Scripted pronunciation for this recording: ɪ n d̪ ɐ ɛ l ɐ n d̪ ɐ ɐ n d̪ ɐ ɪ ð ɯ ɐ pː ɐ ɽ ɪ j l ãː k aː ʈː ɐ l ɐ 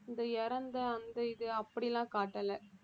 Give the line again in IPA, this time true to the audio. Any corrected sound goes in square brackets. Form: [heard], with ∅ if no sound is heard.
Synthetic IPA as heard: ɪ n d̪ ɐ ɛ [ɾ] ɐ n d̪ ɐ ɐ n d̪ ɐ ɪ ð ɯ ɐ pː ɐ ɽ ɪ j l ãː k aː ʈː ɐ l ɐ